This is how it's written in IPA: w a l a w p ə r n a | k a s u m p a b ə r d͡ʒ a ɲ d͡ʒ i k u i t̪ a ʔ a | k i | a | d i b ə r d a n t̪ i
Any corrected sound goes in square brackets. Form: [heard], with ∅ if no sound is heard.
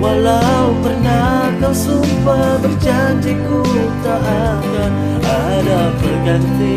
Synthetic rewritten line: w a l a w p ə r n a | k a s u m p a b ə r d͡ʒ a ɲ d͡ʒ i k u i t̪ a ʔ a | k [a] | a | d [a] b ə r [ɡ] a n t̪ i